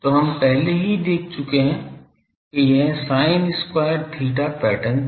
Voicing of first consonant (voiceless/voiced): voiceless